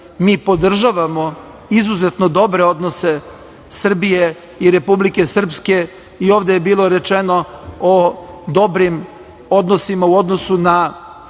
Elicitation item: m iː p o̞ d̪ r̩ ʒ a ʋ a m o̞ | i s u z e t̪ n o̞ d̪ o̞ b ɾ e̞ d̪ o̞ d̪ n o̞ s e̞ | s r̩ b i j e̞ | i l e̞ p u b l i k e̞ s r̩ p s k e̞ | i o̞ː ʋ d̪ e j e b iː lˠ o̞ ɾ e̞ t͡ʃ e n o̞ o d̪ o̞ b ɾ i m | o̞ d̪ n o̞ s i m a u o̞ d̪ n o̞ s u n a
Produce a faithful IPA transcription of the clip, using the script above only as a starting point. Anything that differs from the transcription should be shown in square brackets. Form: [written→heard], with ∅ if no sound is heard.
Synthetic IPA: m iː p o̞ d̪ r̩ ʒ a ʋ a m o̞ | i [s→z] u z e t̪ n o̞ d̪ o̞ b ɾ e̞ [d̪→∅] o̞ d̪ n o̞ s e̞ | s r̩ b i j e̞ | i [l→ɾ] e̞ p u b l i k e̞ s r̩ p s k e̞ | i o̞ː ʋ d̪ e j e b iː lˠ o̞ ɾ e̞ t͡ʃ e n o̞ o d̪ o̞ b ɾ i m | o̞ d̪ n o̞ s i m a u o̞ d̪ n o̞ s u n a